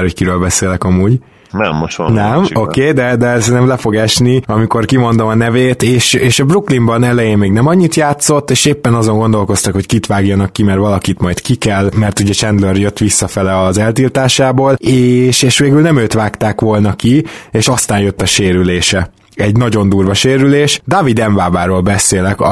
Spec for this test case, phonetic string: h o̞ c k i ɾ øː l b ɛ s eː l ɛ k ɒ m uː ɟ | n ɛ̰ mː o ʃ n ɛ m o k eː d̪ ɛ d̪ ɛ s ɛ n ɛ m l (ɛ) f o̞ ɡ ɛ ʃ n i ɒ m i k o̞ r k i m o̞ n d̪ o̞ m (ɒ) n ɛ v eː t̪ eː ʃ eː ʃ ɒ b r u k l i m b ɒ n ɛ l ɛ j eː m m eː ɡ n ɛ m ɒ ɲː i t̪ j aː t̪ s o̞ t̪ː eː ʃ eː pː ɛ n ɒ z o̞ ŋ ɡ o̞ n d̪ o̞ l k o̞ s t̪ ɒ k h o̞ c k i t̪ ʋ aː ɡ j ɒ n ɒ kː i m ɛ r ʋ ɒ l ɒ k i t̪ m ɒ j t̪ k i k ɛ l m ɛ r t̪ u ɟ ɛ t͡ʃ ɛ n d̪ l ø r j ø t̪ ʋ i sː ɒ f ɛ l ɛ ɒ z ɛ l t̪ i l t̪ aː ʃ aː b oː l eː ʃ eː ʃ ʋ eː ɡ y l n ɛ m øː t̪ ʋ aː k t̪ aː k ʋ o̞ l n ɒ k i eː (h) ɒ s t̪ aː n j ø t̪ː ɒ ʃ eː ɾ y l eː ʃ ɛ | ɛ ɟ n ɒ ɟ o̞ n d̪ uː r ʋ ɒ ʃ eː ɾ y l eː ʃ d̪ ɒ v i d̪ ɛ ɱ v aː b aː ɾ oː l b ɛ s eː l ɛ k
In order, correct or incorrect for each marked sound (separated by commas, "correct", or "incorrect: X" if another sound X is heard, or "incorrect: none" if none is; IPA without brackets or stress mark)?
correct, correct, incorrect: ʃ